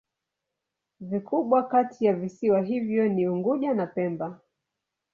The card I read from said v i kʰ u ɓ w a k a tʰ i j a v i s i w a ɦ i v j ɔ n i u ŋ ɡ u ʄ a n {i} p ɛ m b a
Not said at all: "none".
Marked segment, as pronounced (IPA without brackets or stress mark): a